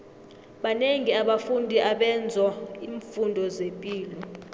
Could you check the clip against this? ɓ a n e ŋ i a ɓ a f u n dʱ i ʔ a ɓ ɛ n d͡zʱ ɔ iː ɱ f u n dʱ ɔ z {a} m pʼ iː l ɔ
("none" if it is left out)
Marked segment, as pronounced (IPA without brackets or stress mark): e